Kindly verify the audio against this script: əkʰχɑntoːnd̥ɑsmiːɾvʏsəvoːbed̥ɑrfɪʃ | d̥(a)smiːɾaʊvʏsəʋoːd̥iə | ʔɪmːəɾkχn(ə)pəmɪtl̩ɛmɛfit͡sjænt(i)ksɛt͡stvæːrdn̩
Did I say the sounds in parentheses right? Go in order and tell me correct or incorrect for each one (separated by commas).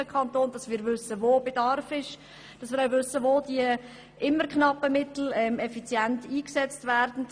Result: incorrect, incorrect, incorrect